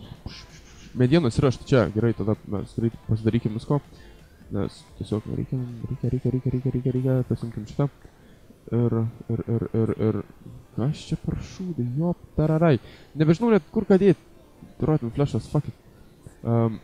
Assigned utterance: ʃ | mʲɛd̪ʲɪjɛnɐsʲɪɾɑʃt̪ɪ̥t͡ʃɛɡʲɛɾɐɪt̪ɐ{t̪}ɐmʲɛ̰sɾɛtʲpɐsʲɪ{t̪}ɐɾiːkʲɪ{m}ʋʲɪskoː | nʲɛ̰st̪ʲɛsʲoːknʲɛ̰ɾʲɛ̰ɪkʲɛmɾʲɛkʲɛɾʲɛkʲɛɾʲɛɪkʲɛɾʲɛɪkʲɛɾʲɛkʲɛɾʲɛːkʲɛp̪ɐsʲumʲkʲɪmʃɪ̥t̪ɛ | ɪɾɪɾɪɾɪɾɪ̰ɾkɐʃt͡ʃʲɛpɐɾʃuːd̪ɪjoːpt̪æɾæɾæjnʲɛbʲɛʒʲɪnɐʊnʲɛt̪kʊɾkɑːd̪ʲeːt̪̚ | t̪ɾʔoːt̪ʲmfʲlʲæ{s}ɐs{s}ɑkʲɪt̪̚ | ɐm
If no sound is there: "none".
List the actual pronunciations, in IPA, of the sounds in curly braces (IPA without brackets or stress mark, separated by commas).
d̪, d̪, m, ʃ, f